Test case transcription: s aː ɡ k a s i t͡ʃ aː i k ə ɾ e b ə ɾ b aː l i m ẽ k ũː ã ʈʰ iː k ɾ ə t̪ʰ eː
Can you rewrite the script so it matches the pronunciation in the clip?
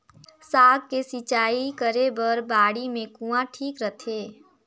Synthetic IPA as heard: s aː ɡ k e s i t͡ʃ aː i k ə ɾ e b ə ɾ b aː ɽ i m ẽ k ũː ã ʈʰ iː k ɾ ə t̪ʰ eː